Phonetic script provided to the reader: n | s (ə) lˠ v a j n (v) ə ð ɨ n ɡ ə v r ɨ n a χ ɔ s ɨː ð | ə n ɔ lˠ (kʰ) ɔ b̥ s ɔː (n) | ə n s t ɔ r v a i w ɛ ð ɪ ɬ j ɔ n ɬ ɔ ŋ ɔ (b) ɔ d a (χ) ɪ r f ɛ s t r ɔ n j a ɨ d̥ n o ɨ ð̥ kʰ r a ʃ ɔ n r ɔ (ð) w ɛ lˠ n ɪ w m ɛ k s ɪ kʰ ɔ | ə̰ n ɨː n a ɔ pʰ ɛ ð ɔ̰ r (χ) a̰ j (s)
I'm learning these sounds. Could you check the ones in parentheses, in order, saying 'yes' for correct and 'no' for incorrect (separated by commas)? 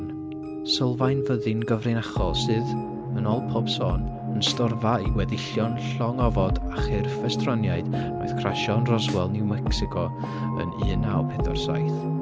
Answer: yes, yes, no, yes, no, yes, no, no, no